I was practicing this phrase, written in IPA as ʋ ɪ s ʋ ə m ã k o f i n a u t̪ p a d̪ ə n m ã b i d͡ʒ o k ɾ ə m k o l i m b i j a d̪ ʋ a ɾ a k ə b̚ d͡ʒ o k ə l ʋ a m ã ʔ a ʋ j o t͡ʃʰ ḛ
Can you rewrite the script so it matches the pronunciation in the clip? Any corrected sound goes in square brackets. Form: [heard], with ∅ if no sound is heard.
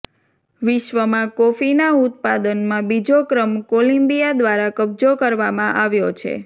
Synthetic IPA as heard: ʋ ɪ [ʃ] ʋ ə m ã k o f i n a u t̪ p a d̪ ə n m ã b i d͡ʒ o k ɾ ə m k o l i m b i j a d̪ ʋ a ɾ a k ə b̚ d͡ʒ o k ə [ɾ] ʋ a m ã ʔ a ʋ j o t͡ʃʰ ḛ